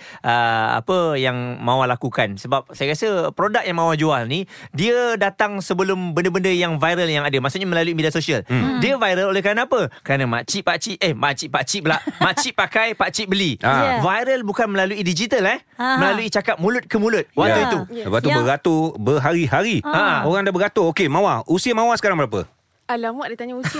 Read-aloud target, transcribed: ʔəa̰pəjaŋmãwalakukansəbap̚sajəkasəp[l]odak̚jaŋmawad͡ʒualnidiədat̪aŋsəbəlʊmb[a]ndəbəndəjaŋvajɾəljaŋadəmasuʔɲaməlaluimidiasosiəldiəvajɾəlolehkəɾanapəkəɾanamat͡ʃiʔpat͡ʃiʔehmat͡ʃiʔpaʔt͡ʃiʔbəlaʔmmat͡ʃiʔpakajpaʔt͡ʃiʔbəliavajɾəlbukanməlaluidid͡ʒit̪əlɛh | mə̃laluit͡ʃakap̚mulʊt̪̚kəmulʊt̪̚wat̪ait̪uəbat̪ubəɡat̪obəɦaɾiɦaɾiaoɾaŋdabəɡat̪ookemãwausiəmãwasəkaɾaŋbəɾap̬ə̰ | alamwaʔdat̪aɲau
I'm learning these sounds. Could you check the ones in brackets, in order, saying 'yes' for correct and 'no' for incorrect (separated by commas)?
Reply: no, no